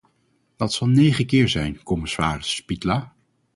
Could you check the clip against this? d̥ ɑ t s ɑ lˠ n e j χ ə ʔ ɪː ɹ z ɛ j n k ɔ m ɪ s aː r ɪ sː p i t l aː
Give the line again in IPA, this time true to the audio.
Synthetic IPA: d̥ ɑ t s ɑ lˠ n e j χ ə k ɪː ɹ z ɛ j n k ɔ m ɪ s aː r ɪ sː p i t l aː